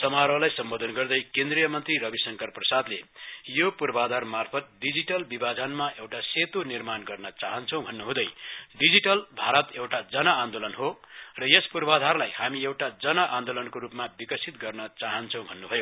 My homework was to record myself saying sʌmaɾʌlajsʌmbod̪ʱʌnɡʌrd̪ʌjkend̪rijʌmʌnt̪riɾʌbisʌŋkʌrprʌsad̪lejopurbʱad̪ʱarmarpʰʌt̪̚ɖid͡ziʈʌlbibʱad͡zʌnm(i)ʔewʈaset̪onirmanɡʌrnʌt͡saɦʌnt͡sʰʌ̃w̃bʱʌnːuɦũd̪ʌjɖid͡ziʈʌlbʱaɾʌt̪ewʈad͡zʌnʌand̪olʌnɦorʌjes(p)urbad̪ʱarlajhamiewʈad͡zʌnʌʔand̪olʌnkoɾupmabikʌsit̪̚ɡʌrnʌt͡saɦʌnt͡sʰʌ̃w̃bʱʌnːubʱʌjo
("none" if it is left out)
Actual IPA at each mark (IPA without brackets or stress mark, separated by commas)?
a, p